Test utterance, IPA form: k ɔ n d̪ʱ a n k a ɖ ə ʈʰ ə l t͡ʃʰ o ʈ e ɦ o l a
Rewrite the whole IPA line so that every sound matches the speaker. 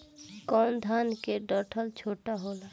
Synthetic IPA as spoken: k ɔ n d̪ʱ a n k e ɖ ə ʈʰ ə l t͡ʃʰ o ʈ a ɦ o l a